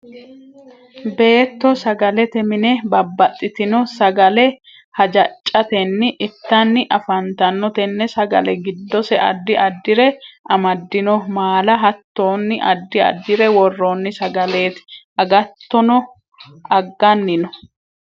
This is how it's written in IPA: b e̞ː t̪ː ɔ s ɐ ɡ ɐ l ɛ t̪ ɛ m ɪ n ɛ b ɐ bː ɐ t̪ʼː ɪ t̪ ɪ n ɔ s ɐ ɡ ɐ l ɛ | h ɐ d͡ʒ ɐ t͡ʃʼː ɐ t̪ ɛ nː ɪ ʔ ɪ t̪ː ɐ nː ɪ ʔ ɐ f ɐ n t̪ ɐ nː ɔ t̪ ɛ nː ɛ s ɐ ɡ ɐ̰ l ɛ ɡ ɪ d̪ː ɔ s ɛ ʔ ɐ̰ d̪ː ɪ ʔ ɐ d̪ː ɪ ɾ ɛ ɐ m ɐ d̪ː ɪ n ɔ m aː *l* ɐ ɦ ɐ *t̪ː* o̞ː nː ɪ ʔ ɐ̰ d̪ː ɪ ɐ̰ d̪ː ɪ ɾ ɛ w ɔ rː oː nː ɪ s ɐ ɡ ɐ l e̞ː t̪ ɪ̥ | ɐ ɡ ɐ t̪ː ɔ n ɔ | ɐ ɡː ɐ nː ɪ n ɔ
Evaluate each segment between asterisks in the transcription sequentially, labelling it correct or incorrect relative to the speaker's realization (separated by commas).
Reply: correct, correct